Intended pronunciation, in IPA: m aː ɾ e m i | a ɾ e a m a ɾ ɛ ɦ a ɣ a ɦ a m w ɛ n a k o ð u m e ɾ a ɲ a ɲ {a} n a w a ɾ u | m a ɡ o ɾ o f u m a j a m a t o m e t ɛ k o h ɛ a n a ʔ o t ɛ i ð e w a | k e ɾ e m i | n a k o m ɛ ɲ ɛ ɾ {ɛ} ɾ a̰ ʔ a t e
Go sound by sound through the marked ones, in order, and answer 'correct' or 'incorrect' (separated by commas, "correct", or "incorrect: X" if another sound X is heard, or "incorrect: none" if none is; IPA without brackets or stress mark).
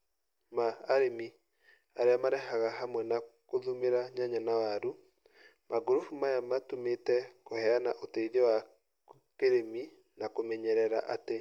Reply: correct, correct